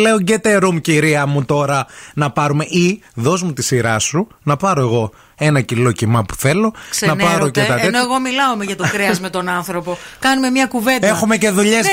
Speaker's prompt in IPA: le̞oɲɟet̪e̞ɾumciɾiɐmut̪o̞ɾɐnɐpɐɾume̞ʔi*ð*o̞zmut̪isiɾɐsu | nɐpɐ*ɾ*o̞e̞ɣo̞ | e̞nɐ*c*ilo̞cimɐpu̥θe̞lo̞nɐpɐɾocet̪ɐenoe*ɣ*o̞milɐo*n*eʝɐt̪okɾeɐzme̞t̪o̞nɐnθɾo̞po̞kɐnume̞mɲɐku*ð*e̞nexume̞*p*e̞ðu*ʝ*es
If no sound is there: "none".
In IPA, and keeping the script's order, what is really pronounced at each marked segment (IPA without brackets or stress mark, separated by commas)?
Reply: ð, ɾ, c, ɣ, m, v, c, ʎ